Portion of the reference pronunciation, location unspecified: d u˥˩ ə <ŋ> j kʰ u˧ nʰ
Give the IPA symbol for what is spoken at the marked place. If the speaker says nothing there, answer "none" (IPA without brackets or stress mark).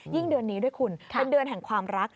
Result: none